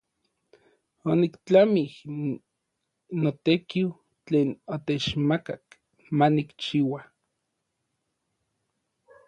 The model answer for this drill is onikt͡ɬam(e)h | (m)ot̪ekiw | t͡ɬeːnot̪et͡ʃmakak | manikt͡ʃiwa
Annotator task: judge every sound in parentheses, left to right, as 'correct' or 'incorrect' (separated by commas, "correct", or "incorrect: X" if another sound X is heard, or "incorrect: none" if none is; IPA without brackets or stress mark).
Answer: incorrect: i, incorrect: n